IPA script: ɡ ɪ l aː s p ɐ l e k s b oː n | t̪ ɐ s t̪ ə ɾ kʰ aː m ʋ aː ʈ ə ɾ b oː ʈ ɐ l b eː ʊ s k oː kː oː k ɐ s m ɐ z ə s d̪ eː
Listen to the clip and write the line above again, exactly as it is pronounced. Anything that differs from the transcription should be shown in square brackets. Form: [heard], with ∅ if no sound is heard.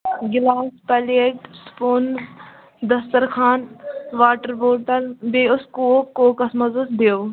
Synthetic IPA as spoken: ɡ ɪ l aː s p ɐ l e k s [p] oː n | [d̪] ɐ s t̪ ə ɾ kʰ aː [n] ʋ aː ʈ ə ɾ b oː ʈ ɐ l b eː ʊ s k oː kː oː k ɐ s m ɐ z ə s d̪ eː

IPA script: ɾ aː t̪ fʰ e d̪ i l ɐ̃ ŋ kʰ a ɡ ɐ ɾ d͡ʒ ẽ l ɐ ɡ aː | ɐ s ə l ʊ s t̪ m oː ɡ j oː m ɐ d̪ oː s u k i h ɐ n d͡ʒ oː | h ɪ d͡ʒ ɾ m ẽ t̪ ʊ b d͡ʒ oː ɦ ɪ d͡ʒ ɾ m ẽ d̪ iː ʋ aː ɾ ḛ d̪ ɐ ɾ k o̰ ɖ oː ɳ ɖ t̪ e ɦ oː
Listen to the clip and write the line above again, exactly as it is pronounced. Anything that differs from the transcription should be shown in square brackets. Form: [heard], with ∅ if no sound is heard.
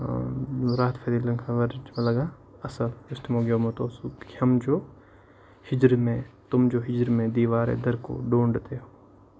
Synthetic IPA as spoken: ɾ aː t̪ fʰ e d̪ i l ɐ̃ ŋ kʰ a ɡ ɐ ɾ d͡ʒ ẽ l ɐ ɡ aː | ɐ s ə l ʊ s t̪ m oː ɡ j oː m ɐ [t̪] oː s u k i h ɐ [m] d͡ʒ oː | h ɪ d͡ʒ ɾ m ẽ t̪ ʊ [m] d͡ʒ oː ɦ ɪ d͡ʒ ɾ m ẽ d̪ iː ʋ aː ɾ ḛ d̪ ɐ ɾ k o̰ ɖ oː ɳ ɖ t̪ e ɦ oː

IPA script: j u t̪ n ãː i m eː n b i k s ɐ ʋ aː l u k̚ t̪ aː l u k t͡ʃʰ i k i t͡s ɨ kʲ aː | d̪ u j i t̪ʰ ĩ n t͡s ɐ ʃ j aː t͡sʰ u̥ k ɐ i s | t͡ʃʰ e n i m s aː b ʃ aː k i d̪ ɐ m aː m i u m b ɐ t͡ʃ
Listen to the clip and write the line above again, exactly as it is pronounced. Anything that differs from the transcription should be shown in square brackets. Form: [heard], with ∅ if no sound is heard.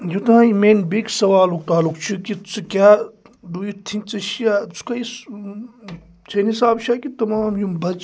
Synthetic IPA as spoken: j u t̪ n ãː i m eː n b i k s ɐ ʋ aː l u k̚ t̪ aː l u k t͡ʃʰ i k i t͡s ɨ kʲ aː | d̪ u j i t̪ʰ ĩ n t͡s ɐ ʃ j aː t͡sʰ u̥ k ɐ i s | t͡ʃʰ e n i [∅] s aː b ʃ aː k i [t̪] ɐ m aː m [j] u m b ɐ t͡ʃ

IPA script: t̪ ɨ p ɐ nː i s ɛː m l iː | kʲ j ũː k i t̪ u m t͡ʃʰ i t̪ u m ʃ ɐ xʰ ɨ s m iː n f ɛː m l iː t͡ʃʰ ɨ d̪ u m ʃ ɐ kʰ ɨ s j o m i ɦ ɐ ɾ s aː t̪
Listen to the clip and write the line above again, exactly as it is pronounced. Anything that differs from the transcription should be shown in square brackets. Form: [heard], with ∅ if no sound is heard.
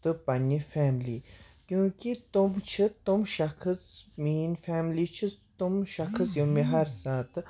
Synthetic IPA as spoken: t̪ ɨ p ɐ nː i [f] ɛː m l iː | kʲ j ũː k i t̪ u m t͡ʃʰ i t̪ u m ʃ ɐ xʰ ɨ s m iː n f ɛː m l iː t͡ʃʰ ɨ [t̪] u m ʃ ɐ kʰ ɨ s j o m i ɦ ɐ ɾ s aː t̪

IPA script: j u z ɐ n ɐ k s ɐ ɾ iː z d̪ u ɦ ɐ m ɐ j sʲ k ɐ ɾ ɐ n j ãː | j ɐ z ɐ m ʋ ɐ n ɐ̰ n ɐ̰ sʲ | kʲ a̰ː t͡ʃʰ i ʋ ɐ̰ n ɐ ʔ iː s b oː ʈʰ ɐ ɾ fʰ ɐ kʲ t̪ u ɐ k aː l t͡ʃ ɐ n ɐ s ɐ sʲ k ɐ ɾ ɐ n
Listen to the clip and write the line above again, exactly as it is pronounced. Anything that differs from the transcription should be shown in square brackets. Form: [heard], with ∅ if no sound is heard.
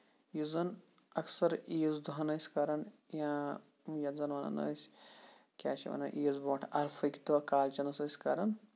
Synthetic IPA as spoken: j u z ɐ n ɐ k s ɐ ɾ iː z d̪ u ɦ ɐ [n] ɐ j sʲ k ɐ ɾ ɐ n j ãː | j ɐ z ɐ [n] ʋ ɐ n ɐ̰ n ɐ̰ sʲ | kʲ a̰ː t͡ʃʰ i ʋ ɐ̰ n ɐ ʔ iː [z] b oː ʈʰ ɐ ɾ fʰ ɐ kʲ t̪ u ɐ k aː l t͡ʃ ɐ n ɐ s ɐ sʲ k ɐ ɾ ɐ n

